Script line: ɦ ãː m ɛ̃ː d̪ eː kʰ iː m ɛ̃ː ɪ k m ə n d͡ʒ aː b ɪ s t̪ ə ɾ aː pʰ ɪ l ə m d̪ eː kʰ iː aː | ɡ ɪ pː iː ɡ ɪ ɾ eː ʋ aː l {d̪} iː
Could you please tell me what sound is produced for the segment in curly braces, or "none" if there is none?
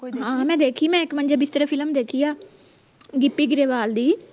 d̪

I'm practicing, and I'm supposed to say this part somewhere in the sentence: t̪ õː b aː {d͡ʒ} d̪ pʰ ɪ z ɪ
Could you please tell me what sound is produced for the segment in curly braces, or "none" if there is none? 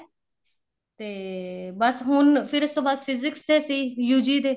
none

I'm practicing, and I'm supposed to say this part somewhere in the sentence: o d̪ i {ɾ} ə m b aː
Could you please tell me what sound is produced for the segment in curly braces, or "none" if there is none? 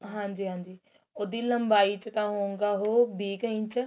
l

